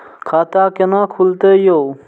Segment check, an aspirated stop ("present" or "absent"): present